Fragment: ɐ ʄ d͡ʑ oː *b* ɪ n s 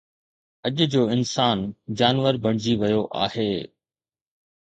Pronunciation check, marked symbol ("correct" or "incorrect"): incorrect